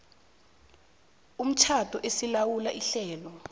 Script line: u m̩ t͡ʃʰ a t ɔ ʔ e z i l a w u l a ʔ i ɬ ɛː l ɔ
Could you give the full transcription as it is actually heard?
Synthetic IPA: u m̩ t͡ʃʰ a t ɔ ʔ e s i l a w u l a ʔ i ɬ ɛː l ɔ